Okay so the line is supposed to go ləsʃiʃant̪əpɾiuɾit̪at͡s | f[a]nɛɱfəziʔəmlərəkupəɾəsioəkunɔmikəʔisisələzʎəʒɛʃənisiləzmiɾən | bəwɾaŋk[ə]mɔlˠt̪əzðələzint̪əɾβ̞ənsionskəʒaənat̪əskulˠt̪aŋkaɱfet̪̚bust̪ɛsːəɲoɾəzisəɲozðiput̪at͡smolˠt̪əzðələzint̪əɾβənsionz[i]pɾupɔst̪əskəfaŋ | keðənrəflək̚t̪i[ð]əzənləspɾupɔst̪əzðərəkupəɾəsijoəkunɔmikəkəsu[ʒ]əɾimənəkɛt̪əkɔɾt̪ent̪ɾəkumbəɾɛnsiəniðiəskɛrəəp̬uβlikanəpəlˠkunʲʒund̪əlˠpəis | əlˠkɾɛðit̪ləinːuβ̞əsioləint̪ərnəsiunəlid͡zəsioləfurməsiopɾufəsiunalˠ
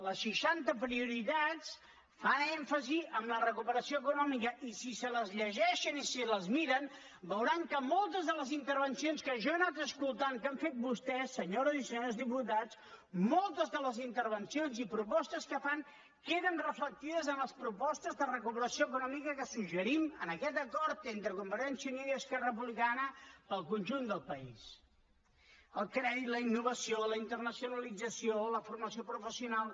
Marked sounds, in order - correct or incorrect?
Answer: correct, correct, correct, correct, correct

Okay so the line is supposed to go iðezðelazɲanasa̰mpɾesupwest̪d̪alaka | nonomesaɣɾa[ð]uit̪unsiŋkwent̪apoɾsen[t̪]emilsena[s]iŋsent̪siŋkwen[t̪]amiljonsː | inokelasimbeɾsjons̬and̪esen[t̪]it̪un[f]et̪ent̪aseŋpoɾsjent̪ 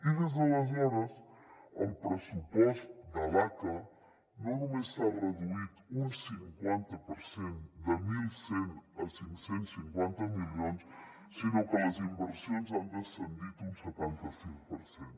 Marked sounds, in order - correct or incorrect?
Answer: correct, incorrect: d̪, correct, correct, incorrect: d̪, incorrect: s

